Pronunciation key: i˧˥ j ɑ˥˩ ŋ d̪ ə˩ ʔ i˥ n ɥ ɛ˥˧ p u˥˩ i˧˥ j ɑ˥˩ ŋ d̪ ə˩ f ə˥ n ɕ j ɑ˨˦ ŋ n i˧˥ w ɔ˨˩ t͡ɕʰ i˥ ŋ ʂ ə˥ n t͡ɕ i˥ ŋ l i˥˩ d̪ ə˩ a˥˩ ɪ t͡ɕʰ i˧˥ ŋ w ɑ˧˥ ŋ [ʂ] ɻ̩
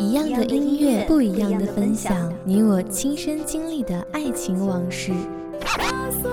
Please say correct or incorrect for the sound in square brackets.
correct